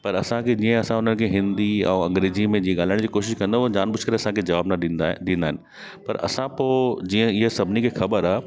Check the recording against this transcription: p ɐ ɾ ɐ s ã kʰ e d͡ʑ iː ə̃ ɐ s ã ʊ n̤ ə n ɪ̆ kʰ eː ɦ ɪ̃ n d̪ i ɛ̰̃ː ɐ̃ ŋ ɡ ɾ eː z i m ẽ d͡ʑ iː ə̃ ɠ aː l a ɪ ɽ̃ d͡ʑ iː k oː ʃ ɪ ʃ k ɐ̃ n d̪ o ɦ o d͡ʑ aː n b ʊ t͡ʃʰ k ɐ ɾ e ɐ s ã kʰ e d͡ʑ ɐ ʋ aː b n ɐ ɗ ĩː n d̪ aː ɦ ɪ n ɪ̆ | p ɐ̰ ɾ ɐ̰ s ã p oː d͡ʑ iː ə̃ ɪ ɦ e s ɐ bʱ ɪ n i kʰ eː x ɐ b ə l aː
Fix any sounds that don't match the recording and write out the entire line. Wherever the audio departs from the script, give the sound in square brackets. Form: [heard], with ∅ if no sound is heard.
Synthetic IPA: p ɐ ɾ ɐ s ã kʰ e d͡ʑ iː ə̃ ɐ s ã ʊ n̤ ə n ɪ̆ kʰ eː ɦ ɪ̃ n d̪ i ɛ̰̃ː ɐ̃ ŋ ɡ ɾ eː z i m ẽ d͡ʑ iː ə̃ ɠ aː l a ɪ ɽ̃ d͡ʑ iː k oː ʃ ɪ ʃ k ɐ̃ n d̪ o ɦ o d͡ʑ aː n b ʊ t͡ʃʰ k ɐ ɾ e ɐ s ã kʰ e d͡ʑ ɐ ʋ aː b n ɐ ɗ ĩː n d̪ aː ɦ ɪ n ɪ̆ | p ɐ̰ ɾ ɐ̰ s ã p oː d͡ʑ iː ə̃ ɪ ɦ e s ɐ bʱ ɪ n i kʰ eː x ɐ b ə [ɾ] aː